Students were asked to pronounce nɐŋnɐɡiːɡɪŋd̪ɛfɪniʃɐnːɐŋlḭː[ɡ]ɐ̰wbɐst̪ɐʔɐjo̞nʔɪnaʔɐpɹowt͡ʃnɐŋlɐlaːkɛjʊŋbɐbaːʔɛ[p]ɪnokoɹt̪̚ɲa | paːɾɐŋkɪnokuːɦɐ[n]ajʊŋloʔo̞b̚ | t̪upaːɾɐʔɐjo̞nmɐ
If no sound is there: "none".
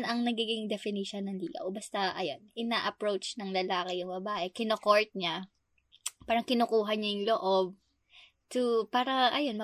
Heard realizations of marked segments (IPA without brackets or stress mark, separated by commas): ɡ, k, ɲ